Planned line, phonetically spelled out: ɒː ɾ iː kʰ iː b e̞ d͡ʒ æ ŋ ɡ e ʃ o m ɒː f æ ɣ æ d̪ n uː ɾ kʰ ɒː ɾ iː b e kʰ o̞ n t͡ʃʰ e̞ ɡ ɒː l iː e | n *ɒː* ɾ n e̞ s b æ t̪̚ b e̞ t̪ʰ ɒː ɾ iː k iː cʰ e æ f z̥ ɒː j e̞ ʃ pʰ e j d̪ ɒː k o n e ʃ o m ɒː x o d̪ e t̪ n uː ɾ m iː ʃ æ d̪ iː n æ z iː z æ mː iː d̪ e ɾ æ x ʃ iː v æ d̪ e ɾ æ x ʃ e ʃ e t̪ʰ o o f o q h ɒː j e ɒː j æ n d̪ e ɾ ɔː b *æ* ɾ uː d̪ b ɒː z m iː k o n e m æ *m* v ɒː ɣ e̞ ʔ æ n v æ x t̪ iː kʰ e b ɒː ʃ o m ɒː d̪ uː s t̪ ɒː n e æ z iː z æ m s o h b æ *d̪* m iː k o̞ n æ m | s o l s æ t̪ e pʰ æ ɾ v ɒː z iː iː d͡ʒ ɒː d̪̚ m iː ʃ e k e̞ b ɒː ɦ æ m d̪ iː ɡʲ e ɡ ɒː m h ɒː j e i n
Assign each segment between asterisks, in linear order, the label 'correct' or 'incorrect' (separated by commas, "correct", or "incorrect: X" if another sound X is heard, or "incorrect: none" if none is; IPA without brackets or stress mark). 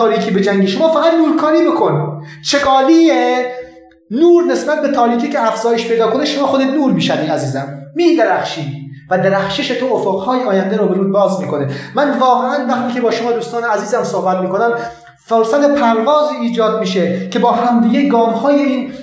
incorrect: uː, incorrect: e, incorrect: n, incorrect: t̪